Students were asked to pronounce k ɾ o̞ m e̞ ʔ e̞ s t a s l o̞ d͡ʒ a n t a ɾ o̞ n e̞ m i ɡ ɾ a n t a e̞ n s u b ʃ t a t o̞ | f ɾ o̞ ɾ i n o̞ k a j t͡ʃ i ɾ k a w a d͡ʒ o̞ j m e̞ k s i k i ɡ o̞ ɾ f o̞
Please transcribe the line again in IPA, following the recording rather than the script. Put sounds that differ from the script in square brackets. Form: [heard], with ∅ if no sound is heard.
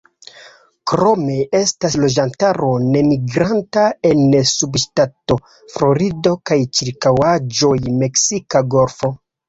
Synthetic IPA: k ɾ o̞ m e̞ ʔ e̞ s t a s l o̞ d͡ʒ a n t a ɾ o̞ n e̞ m i ɡ ɾ a n t a e̞ n s u b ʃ t a t o̞ | f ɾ o̞ ɾ i [d] o̞ k a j t͡ʃ i ɾ k a w a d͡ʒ o̞ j m e̞ k s i k [a] ɡ o̞ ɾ f o̞